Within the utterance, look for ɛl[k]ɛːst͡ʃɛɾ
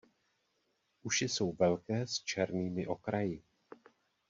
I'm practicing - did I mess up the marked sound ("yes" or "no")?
no